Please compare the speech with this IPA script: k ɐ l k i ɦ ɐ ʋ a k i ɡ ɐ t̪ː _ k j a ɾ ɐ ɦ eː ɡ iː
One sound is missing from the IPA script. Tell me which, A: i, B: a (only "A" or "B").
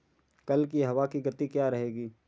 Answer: A